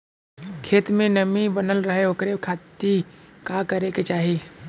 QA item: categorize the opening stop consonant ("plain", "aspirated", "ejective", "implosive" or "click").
aspirated